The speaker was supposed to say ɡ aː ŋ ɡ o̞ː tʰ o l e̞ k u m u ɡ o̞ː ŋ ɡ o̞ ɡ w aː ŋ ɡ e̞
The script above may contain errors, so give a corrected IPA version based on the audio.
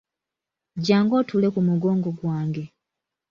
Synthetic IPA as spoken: ɟ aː ŋ ɡ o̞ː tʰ u l e̞ k u m u ɡ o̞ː ŋ ɡ o̞ ɡ w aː ŋ ɡ e̞